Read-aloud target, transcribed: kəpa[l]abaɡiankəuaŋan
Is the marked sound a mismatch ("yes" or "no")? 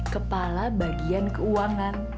no